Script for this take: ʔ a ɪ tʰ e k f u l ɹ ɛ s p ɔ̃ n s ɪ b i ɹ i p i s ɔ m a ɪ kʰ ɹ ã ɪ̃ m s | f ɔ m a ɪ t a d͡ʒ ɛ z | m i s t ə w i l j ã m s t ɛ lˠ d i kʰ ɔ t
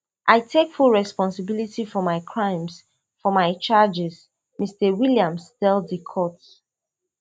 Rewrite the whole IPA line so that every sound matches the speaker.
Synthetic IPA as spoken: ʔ a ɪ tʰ e k f u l ɹ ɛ s p ɔ̃ n s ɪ b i l i t i f ɔ m a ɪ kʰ ɹ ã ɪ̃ m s | f ɔ m a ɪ t͡ʃ a d͡ʒ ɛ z | m i s t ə w i l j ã m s t ɛ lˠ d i kʰ ɔ t